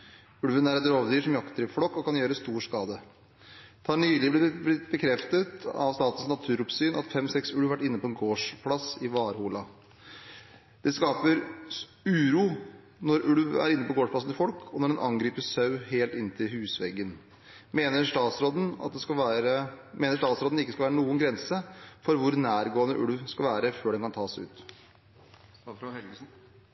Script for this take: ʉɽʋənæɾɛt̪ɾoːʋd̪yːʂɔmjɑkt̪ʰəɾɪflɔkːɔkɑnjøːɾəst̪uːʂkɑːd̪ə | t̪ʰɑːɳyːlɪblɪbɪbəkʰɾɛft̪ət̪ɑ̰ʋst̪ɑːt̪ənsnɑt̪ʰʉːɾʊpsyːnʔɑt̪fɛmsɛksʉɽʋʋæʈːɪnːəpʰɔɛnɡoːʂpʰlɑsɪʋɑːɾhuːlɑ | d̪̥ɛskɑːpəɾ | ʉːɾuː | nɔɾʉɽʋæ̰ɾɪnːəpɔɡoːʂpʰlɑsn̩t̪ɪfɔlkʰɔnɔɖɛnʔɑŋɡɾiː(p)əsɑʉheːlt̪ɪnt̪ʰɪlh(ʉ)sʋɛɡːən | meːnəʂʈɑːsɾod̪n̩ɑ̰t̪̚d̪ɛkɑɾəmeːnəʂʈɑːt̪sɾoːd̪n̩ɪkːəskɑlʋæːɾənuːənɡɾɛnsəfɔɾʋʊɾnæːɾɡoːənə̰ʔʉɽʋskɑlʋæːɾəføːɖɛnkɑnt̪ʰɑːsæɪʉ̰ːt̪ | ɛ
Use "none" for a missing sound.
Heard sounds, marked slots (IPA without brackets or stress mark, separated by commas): p, ʉː